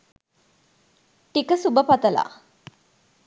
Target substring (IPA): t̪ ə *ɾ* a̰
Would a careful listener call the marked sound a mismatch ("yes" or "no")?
yes